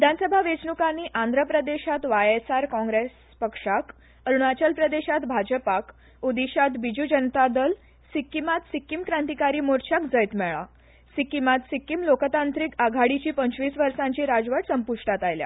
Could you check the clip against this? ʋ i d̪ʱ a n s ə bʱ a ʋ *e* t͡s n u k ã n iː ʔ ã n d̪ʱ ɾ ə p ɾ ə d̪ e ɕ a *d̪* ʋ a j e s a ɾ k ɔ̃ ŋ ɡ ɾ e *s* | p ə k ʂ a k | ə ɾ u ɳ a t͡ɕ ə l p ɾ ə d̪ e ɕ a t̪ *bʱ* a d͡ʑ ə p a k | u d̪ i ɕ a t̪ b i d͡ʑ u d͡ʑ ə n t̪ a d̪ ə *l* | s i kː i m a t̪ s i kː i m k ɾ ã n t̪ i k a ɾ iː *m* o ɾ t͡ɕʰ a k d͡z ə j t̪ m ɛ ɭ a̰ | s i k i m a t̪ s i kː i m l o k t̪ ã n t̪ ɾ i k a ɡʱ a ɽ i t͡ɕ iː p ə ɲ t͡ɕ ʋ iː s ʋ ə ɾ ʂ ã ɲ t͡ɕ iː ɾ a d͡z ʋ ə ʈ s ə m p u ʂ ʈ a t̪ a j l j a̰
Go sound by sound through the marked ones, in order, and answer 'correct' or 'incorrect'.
correct, incorrect: t̪, correct, correct, correct, correct

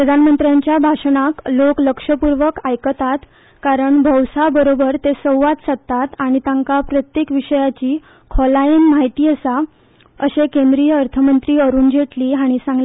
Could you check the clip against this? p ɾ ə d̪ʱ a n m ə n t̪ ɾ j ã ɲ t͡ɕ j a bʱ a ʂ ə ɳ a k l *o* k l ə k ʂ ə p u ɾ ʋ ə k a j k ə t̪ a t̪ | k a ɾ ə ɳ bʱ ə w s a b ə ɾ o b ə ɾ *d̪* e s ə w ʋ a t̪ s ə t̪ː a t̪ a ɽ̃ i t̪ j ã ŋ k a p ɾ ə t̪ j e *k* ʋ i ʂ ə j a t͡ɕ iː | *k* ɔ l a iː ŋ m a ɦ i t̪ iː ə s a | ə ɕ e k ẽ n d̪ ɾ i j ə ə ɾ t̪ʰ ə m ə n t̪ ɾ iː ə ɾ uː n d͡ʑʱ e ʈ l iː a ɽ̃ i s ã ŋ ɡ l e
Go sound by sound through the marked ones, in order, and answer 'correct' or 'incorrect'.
correct, incorrect: t̪, correct, incorrect: kʰ

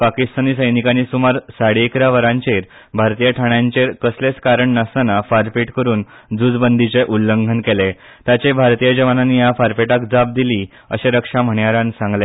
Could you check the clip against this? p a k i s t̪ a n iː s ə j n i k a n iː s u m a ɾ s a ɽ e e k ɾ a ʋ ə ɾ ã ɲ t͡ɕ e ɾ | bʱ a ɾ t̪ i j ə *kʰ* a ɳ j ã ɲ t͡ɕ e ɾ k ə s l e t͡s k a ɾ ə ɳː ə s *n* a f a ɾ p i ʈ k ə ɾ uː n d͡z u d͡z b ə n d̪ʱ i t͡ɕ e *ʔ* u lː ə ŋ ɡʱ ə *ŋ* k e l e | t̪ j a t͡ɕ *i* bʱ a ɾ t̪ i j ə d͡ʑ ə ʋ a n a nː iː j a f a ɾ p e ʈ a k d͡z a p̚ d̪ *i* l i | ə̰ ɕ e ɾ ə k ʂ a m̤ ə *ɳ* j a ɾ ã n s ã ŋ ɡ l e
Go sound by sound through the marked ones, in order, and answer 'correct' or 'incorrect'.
incorrect: ʈʰ, correct, correct, incorrect: n, incorrect: e, correct, correct

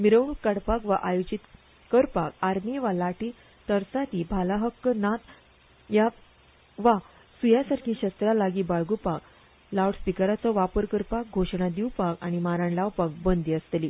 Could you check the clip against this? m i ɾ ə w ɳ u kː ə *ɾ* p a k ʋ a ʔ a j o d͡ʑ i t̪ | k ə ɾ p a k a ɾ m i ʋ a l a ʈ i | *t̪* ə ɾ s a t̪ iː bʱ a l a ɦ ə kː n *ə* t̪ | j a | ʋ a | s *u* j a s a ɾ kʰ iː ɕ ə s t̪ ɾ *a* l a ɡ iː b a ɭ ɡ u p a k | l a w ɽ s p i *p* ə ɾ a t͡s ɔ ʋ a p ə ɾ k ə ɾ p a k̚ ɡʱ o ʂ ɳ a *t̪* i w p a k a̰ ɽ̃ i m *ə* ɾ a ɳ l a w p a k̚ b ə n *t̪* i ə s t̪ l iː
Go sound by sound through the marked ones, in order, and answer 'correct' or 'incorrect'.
incorrect: ɽ, correct, incorrect: a, correct, correct, incorrect: k, incorrect: d̪, incorrect: a, incorrect: d̪

